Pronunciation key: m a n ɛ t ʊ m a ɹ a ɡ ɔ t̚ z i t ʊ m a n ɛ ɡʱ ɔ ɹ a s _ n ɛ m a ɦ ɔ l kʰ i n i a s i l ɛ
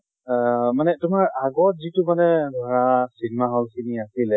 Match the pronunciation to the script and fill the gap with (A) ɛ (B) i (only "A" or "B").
B